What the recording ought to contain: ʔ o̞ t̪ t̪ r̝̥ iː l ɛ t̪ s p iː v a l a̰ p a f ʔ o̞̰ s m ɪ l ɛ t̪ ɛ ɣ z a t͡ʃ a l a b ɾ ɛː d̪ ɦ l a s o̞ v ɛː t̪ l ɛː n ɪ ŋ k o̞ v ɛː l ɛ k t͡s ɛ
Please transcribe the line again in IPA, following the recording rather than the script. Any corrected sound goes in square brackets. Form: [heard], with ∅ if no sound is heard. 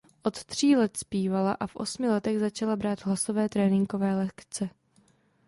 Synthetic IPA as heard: ʔ o̞ t̪ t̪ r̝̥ iː l ɛ t̪ s p iː v a l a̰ [ʔ] a f ʔ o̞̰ s m ɪ l ɛ t̪ ɛ ɣ z a t͡ʃ a l a b ɾ [aː] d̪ ɦ l a s o̞ v ɛː t̪ [ɾ] ɛː n ɪ ŋ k o̞ v ɛː l ɛ k t͡s ɛ